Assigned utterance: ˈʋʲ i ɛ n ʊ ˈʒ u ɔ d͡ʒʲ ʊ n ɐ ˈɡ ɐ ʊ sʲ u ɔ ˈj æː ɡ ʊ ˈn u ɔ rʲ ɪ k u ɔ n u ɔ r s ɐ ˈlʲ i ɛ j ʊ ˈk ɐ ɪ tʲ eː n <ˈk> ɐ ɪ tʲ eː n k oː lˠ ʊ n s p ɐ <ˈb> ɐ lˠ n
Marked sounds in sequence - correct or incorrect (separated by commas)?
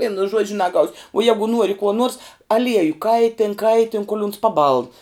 correct, correct